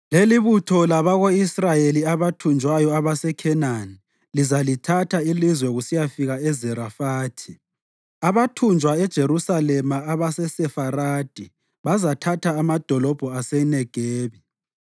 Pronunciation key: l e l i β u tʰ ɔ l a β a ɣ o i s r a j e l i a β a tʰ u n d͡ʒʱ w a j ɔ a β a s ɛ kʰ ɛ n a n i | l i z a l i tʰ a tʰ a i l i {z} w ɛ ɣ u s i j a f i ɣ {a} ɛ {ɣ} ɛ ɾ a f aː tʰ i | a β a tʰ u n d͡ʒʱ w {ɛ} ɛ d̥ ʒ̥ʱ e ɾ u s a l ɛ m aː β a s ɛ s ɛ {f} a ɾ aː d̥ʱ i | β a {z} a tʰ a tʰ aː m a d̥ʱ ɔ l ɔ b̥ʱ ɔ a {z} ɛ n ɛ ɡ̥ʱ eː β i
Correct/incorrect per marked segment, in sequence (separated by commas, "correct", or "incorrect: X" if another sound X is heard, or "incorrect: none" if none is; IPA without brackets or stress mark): correct, correct, incorrect: z, incorrect: a, correct, correct, incorrect: s